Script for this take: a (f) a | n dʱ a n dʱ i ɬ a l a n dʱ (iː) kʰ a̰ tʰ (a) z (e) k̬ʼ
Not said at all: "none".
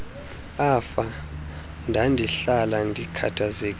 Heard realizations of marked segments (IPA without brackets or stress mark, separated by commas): f, i, a, e